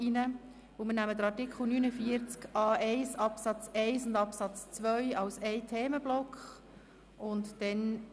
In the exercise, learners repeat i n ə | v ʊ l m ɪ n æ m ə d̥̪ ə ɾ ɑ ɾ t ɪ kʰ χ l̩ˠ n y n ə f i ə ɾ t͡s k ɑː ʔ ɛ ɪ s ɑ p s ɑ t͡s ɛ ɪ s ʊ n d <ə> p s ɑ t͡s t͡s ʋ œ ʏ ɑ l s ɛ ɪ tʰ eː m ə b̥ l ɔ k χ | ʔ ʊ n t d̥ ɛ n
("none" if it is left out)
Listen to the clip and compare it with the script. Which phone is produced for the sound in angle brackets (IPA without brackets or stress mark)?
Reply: ɑ